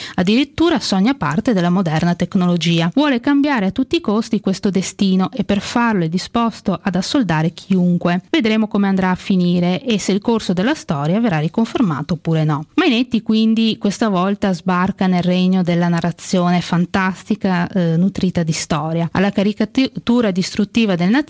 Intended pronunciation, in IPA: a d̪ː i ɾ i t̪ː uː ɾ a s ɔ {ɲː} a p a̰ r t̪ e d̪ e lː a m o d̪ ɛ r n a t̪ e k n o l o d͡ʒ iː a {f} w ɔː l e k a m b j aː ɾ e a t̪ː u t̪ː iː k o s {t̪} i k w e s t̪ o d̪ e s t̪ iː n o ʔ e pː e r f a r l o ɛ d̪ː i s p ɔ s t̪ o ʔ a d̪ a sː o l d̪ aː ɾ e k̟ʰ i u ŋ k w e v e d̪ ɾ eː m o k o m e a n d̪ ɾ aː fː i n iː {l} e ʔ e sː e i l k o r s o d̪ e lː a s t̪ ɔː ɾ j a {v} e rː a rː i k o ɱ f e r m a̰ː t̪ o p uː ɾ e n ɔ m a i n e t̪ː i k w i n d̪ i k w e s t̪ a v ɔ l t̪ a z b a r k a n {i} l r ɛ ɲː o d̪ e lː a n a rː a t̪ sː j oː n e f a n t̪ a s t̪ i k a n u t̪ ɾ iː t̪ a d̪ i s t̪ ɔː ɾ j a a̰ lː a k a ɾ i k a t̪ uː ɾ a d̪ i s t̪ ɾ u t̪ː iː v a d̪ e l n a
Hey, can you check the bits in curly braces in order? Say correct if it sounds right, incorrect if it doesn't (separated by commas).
correct, incorrect, correct, incorrect, correct, incorrect